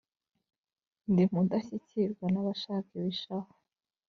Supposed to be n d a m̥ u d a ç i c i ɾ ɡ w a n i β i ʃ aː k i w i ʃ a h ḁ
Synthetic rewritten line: n d i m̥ u d a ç i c i ɾ ɡ w a n a β a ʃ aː k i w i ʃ a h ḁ